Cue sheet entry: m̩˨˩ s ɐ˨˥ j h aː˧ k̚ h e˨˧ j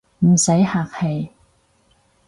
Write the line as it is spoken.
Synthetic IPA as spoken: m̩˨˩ s ɐ˨˥ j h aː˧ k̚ h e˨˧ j